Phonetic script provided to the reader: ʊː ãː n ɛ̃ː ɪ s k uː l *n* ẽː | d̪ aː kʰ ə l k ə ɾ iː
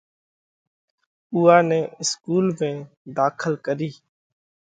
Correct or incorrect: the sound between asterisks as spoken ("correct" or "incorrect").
incorrect